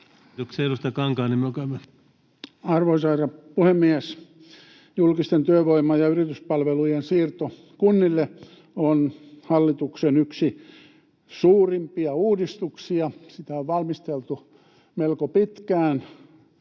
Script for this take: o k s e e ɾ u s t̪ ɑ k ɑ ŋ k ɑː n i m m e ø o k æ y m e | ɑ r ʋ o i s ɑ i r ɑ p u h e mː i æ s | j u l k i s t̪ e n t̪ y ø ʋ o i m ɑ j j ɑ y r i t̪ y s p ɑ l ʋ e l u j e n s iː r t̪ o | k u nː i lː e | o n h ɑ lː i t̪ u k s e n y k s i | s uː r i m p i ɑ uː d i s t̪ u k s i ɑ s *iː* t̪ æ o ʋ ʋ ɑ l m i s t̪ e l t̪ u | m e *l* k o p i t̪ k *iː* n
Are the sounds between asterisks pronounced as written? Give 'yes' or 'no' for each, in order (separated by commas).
no, yes, no